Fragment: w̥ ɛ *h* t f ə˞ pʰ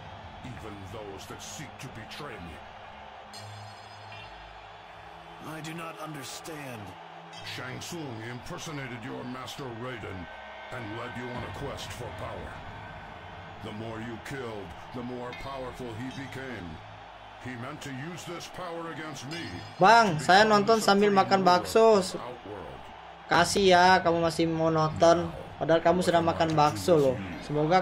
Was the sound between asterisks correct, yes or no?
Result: no